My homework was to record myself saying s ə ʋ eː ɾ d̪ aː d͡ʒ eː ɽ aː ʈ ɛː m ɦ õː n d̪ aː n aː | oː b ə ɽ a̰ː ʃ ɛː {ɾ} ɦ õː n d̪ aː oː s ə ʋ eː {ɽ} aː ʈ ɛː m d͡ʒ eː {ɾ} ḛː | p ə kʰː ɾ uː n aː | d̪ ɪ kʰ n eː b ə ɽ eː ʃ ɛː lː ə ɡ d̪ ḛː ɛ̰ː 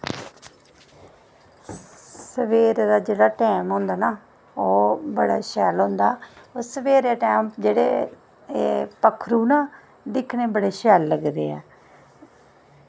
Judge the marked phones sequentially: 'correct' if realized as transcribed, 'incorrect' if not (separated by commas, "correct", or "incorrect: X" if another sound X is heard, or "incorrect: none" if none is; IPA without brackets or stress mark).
incorrect: l, incorrect: ɾ, incorrect: ɽ